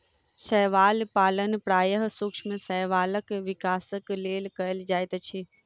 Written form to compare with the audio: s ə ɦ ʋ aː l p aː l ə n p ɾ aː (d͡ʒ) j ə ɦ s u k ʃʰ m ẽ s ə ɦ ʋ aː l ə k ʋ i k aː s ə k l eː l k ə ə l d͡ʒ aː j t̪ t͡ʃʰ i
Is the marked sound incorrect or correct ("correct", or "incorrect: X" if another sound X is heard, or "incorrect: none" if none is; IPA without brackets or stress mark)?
incorrect: none